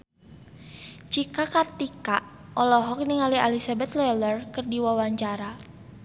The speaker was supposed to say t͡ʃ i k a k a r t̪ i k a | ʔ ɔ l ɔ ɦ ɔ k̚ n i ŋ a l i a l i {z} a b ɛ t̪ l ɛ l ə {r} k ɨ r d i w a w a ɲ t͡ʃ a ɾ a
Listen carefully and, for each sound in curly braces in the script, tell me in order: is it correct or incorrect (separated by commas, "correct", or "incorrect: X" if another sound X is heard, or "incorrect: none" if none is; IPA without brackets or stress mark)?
incorrect: s, correct